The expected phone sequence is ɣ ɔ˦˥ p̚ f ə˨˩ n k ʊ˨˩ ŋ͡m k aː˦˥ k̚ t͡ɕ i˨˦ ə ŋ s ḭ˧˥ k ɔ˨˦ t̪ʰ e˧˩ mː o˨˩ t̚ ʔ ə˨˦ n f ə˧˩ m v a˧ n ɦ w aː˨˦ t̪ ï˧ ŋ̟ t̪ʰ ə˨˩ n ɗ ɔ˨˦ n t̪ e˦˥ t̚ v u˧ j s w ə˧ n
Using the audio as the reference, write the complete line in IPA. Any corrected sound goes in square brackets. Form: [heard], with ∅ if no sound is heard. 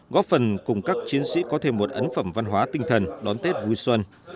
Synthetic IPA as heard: ɣ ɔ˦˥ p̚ f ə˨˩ n k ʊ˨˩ ŋ͡m k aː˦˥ k̚ t͡ɕ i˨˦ ə [n] s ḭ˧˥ k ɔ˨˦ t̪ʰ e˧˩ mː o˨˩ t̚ ʔ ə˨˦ n f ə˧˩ m v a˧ n ɦ w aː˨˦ t̪ ï˧ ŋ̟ t̪ʰ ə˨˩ n ɗ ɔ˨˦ n t̪ e˦˥ t̚ v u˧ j s w ə˧ n